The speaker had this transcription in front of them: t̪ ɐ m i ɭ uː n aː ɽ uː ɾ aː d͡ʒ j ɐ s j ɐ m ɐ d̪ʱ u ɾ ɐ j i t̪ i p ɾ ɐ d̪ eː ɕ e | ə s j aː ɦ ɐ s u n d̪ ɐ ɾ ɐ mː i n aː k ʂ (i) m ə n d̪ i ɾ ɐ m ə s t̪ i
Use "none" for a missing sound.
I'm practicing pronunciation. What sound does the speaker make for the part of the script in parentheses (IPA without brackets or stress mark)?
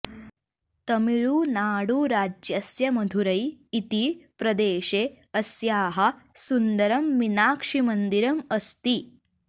i